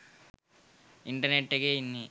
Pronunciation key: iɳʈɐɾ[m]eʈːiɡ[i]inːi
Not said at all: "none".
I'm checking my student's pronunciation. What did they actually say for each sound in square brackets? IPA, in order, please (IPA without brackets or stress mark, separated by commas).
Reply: n, e